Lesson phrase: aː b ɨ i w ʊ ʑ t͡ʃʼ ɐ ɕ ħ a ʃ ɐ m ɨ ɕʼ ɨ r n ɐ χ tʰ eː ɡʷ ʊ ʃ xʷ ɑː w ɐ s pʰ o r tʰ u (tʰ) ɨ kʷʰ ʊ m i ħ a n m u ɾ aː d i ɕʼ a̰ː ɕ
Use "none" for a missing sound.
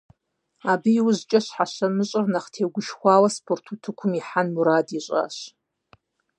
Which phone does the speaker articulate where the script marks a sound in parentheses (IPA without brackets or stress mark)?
tʰ